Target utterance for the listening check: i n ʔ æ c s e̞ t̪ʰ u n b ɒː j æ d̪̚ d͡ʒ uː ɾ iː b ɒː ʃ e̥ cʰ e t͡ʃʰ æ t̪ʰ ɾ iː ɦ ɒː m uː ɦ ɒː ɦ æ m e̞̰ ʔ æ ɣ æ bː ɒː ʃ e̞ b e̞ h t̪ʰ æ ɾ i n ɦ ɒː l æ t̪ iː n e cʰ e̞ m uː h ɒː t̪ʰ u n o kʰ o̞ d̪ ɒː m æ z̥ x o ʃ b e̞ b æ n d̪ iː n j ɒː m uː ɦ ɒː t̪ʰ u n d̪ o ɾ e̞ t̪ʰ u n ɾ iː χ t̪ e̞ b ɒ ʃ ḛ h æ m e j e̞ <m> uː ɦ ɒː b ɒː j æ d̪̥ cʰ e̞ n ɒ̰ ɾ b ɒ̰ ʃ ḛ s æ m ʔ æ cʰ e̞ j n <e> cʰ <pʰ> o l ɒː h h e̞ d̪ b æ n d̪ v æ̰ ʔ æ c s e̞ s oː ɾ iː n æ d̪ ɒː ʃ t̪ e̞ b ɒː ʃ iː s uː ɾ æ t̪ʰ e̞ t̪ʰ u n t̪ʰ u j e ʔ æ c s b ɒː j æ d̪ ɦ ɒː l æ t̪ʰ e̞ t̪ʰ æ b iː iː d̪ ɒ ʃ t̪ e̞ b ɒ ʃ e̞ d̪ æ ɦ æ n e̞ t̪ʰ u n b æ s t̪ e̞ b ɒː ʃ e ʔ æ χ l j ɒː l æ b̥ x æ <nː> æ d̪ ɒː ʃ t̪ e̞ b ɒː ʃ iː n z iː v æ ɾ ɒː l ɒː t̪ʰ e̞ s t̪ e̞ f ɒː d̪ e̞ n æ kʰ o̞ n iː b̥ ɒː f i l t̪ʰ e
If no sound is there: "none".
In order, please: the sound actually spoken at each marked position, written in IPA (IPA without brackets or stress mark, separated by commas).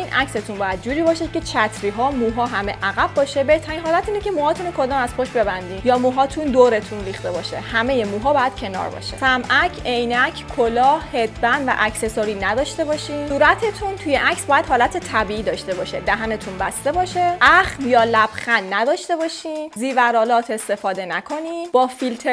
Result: m, æ, kʰ, nː